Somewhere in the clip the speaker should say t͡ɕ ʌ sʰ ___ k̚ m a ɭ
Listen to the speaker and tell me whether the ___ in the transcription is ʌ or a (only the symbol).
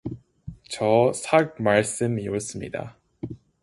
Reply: a